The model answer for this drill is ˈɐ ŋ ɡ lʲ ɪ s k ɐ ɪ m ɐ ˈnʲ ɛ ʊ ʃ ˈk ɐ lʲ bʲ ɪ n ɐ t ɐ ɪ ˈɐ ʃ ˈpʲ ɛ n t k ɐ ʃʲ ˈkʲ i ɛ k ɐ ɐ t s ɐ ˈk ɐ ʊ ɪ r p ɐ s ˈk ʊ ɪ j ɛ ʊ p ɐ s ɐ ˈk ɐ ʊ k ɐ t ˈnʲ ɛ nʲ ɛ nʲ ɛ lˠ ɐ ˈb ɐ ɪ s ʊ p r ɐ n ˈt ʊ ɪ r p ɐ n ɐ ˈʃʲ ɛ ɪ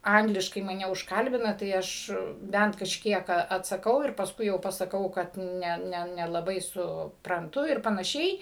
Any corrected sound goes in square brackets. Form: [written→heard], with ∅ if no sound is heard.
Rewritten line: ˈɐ ŋ ɡ lʲ ɪ [s→ʃ] k ɐ ɪ m ɐ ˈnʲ ɛ ʊ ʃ ˈk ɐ lʲ bʲ ɪ n ɐ t ɐ ɪ ˈɐ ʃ [ˈpʲ→ˈbʲ] ɛ n t k ɐ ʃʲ ˈkʲ i ɛ k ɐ ɐ t s ɐ ˈk ɐ ʊ ɪ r p ɐ s ˈk ʊ ɪ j ɛ ʊ p ɐ s ɐ ˈk ɐ ʊ k ɐ t ˈnʲ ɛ nʲ ɛ nʲ ɛ lˠ ɐ ˈb ɐ ɪ s ʊ p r ɐ n ˈt ʊ ɪ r p ɐ n ɐ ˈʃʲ ɛ ɪ